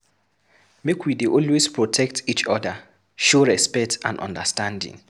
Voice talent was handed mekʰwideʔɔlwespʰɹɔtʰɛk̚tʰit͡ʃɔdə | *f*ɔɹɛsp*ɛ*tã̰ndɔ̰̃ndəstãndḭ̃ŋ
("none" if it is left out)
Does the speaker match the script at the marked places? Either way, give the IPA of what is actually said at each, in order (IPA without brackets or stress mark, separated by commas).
ʃ, ɛ